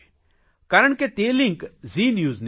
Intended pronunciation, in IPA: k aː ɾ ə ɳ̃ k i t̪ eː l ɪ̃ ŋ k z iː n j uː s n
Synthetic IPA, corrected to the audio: k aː ɾ ə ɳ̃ k e t̪ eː l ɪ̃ ŋ k z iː n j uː z n